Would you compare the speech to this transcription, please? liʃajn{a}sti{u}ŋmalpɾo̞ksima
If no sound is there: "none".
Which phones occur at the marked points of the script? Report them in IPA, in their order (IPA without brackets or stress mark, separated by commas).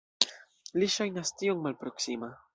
a, o